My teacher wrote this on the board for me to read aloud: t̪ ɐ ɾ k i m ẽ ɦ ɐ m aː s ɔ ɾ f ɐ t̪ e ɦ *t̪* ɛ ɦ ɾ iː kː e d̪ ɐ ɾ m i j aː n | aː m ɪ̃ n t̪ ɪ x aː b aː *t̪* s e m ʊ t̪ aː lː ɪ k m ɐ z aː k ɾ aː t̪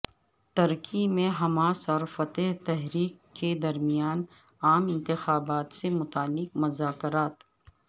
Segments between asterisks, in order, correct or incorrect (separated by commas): correct, correct